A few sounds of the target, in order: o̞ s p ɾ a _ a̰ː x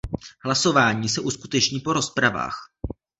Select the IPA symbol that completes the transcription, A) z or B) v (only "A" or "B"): B